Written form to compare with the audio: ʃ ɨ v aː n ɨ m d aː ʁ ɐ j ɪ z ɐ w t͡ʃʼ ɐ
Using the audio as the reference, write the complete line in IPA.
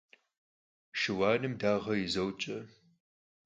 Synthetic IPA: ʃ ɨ w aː n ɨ m d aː ʁ ɐ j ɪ z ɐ w t͡ʃʼ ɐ